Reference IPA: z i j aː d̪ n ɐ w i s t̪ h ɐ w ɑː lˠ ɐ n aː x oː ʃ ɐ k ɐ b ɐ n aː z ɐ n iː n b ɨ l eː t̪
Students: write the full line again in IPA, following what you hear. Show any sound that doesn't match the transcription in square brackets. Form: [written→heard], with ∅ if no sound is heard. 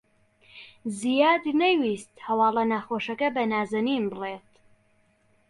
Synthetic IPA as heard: z i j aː d̪ n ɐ w i s t̪ h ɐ w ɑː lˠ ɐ n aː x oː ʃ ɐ k ɐ b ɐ n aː z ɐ n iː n b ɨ l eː t̪